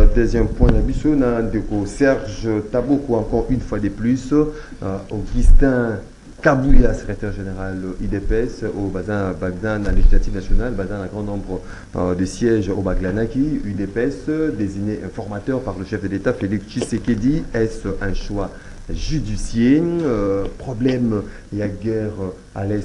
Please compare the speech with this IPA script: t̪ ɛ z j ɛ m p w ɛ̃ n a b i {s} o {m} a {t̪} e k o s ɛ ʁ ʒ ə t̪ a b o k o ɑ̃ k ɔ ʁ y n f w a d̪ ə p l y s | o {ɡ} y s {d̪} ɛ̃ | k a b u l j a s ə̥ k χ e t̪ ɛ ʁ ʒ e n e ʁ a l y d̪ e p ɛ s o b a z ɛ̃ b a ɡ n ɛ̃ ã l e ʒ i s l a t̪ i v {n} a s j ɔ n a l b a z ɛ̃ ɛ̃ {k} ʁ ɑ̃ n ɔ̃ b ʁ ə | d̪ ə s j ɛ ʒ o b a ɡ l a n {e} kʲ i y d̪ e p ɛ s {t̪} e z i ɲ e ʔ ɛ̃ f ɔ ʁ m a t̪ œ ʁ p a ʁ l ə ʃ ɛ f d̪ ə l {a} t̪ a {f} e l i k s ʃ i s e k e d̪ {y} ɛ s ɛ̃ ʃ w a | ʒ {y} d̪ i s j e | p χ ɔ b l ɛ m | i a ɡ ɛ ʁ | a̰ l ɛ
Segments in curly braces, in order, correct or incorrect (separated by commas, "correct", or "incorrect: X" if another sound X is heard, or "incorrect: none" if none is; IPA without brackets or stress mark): correct, incorrect: n, incorrect: d̪, correct, incorrect: t̪, correct, incorrect: ɡ, incorrect: a, incorrect: d̪, incorrect: e, correct, incorrect: i, correct